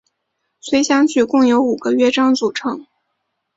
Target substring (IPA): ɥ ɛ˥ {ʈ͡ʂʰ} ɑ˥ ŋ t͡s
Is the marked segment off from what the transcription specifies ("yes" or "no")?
yes